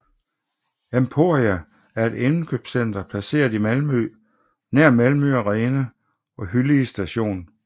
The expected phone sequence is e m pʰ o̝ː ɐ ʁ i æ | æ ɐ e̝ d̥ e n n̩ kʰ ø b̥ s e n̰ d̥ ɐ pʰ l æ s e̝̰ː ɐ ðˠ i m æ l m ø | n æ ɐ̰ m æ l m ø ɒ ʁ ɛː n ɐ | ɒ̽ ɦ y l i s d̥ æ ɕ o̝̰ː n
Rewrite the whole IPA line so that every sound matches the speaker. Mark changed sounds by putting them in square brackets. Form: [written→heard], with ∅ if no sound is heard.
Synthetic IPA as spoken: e m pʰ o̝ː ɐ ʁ i æ | æ ɐ e̝ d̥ e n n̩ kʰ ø b̥ s e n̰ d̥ ɐ pʰ l æ s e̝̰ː ɐ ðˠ i m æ l m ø | n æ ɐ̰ m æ l m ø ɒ ʁ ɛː n [ɐ→ə] | ɒ̽ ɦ y l i s d̥ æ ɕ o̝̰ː n